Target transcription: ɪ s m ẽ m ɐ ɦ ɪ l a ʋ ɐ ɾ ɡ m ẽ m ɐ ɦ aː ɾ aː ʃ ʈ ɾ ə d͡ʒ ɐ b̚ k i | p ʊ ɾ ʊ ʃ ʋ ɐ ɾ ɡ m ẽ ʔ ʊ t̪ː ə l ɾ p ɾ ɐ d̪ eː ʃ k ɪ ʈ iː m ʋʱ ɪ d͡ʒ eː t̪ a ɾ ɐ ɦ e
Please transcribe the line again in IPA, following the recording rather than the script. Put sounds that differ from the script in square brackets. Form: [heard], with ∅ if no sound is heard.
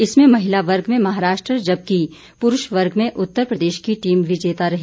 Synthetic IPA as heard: ɪ s m ẽ m ɐ ɦ ɪ l a ʋ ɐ ɾ ɡ m ẽ m ɐ ɦ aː ɾ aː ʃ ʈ ɾ ə d͡ʒ ɐ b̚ k i | p ʊ ɾ ʊ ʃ ʋ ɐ ɾ ɡ m ẽ ʔ ʊ t̪ː ə [∅] ɾ p ɾ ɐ d̪ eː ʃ k [i] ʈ iː m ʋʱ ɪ d͡ʒ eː t̪ a ɾ ɐ ɦ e